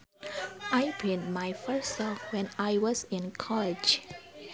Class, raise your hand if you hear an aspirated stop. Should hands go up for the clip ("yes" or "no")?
yes